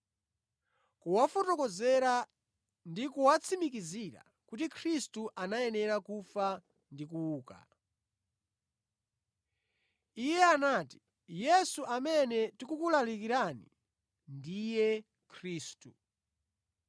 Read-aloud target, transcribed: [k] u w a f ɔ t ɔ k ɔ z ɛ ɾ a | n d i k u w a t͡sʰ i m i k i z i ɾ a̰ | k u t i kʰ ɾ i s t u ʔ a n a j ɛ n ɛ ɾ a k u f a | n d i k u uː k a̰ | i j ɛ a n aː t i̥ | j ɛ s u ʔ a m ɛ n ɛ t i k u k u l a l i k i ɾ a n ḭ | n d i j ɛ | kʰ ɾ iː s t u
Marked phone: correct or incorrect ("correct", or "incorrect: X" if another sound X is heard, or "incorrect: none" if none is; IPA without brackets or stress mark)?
correct